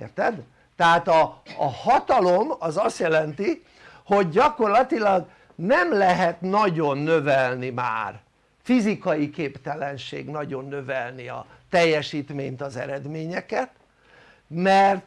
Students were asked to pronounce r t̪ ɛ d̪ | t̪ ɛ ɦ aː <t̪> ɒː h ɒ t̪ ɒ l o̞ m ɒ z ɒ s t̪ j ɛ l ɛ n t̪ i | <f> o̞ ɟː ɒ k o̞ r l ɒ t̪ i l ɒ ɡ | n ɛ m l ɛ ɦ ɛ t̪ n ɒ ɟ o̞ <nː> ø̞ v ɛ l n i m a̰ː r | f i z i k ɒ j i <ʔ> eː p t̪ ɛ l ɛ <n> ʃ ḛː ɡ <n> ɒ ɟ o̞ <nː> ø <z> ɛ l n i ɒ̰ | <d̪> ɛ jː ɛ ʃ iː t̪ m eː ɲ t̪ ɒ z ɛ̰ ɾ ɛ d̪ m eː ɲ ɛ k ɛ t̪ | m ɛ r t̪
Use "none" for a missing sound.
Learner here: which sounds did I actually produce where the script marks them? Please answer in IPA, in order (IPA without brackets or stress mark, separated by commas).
t̪, h, nː, k, n, n, nː, v, t̪